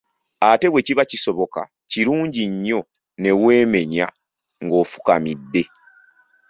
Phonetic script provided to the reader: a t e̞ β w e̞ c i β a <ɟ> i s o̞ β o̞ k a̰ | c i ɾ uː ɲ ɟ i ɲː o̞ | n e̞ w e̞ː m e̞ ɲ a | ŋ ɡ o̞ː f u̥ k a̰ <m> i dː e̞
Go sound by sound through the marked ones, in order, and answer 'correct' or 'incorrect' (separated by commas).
incorrect, correct